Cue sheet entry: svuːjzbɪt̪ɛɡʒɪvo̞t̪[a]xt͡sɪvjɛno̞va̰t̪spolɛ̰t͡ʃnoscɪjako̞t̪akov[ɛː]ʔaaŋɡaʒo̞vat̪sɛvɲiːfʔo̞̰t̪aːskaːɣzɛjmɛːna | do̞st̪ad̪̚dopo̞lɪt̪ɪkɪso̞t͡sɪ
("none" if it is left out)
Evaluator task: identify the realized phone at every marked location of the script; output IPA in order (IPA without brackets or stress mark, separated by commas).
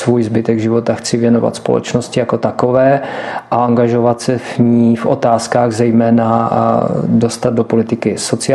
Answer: a, ɛː